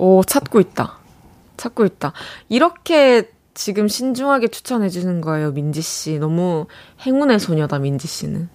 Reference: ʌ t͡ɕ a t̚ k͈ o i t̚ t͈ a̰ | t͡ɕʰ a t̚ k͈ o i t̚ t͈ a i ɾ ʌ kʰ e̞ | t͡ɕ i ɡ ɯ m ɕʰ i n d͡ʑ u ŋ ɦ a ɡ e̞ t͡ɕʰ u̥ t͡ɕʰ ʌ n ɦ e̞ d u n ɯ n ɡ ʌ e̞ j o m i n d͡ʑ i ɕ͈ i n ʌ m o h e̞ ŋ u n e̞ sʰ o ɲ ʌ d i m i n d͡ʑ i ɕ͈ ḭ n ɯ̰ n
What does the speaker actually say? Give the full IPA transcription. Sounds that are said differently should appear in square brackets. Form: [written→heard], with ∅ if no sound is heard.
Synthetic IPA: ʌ [t͡ɕ→t͡ɕʰ] a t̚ k͈ o i t̚ t͈ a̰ | t͡ɕʰ a t̚ k͈ o i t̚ t͈ a i ɾ ʌ kʰ e̞ | t͡ɕ i ɡ ɯ m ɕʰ i n d͡ʑ u ŋ ɦ a ɡ e̞ t͡ɕʰ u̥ t͡ɕʰ ʌ n ɦ e̞ [d→d͡ʑ] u n ɯ n ɡ ʌ e̞ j o m i n d͡ʑ i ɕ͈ i n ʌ m [o→u] h e̞ ŋ u n e̞ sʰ o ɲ ʌ d [i→a] m i n d͡ʑ i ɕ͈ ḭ n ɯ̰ n